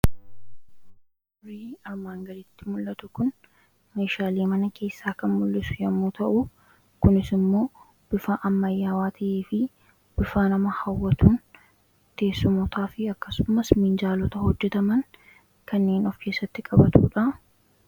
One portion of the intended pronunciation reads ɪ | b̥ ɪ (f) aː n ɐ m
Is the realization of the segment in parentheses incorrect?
no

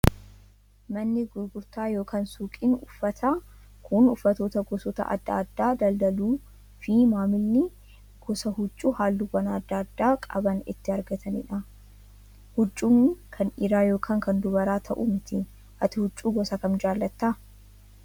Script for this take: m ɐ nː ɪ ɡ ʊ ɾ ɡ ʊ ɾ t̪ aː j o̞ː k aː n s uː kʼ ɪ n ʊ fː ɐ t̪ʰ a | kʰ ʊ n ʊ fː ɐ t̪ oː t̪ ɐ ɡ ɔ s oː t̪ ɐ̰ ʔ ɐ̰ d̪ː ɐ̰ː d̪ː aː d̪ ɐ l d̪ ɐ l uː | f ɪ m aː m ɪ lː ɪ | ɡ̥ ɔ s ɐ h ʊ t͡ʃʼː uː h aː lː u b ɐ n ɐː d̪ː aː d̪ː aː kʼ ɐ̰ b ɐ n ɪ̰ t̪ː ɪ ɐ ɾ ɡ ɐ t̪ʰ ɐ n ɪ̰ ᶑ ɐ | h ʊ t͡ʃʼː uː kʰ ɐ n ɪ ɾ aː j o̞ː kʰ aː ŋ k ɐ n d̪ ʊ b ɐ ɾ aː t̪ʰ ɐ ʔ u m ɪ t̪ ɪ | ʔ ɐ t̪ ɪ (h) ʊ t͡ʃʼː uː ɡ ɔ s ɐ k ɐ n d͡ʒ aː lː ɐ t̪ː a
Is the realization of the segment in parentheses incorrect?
no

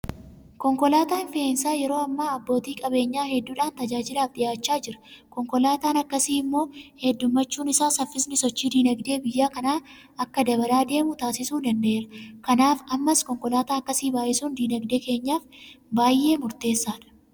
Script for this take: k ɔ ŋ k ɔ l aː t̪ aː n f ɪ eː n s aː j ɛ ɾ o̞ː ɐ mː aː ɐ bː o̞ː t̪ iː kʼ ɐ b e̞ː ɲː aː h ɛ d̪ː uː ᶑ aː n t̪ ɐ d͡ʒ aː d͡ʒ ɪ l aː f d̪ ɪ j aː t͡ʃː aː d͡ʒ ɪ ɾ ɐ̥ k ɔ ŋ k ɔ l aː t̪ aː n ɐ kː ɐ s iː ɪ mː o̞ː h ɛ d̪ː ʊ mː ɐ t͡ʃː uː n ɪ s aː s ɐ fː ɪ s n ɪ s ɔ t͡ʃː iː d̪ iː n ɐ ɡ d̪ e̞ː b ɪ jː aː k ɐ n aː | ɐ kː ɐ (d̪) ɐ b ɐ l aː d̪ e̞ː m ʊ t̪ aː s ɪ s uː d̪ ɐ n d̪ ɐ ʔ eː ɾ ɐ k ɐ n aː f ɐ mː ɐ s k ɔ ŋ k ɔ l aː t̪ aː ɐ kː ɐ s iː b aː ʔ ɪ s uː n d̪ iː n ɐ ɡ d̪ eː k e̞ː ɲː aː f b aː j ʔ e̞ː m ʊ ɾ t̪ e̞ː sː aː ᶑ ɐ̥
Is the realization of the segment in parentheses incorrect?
no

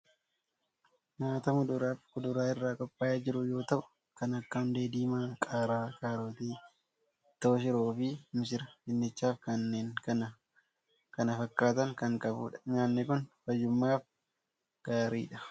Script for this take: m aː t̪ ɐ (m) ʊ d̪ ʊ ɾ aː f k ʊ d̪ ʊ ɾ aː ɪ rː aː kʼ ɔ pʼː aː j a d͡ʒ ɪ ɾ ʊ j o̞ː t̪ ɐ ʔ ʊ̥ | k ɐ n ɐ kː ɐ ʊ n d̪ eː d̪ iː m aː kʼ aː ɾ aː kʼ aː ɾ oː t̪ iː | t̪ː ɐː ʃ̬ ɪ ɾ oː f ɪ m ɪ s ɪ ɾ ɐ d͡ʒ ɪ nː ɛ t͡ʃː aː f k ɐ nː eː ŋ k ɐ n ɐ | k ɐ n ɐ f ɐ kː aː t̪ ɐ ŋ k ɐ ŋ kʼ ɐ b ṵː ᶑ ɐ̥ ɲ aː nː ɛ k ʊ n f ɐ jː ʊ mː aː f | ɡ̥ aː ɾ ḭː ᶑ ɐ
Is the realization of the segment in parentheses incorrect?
no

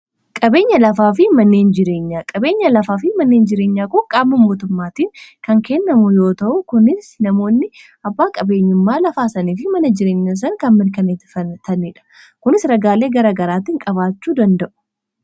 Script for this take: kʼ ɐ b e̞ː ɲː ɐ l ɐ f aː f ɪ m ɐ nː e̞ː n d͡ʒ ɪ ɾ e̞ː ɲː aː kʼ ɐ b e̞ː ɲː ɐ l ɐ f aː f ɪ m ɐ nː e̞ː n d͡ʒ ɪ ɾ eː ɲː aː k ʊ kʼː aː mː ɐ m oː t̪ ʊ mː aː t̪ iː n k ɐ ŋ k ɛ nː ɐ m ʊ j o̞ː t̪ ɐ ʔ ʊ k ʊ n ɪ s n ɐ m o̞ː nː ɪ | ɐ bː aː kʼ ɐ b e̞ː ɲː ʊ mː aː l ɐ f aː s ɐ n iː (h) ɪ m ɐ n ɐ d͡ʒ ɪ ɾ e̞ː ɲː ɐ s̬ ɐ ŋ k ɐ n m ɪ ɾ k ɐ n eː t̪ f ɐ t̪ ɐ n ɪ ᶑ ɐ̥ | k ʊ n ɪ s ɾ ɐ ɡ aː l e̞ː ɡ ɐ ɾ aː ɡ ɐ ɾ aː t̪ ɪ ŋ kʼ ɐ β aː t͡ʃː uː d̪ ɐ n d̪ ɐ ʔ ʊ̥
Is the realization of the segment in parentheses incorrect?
yes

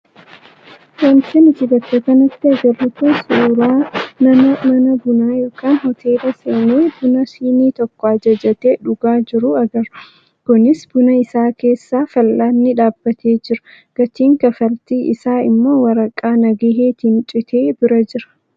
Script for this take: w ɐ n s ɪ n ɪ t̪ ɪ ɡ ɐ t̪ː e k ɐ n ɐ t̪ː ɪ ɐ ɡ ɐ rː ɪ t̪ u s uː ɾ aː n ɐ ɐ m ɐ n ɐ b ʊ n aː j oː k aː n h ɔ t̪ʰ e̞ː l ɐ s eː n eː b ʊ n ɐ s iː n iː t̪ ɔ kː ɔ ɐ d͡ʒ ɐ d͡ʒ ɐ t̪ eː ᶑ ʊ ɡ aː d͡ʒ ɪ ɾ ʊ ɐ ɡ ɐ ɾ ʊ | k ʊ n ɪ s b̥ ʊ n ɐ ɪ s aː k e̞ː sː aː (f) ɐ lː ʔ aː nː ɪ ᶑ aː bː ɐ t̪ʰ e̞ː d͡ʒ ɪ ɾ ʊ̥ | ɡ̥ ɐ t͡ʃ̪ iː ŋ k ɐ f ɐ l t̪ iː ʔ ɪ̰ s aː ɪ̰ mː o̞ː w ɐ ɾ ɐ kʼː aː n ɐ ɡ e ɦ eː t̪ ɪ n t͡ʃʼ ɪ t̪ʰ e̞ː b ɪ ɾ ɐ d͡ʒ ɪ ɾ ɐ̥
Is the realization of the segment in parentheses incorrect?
no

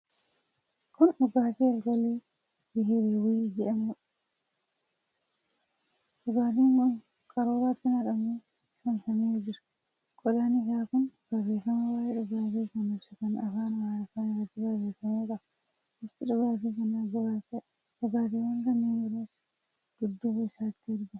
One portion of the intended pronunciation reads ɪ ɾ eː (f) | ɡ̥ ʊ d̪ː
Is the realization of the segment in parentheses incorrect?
yes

